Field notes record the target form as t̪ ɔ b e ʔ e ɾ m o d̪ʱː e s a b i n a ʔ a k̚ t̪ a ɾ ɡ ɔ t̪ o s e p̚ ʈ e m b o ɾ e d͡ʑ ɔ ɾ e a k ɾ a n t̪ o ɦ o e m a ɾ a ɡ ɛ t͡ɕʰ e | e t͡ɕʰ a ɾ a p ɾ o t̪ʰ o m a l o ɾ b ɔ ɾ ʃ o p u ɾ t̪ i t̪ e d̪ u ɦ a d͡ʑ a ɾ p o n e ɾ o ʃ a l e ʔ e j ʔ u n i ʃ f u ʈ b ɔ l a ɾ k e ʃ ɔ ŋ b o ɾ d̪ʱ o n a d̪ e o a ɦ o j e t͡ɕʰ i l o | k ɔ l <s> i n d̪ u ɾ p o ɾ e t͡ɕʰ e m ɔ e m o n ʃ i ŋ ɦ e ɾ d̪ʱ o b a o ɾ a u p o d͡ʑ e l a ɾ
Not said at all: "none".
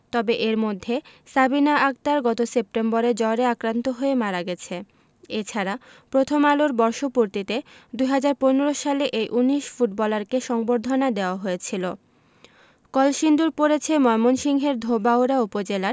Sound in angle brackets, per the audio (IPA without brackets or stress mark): ʃ